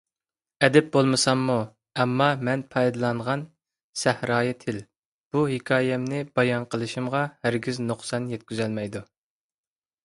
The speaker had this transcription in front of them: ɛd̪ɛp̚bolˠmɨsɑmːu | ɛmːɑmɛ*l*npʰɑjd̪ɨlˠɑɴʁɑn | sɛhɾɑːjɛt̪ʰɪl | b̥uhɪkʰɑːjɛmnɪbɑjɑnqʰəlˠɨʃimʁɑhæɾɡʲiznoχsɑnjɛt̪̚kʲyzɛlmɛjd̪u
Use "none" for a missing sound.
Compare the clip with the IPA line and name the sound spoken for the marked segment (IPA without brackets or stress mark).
none